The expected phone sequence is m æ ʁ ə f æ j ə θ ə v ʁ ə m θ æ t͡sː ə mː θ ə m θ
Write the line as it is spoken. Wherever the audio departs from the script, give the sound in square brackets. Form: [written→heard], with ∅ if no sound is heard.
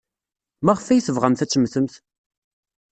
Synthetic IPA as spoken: m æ ʁ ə f æ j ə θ ə v ʁ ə m θ æ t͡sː ə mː θ ə m θ